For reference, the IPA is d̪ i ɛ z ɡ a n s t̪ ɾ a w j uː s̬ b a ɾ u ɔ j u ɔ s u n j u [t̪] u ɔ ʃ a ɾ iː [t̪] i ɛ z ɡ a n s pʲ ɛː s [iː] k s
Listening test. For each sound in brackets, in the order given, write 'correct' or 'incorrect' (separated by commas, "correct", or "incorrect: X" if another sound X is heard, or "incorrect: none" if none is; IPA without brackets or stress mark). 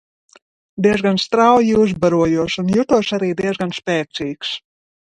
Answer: correct, incorrect: d̪, correct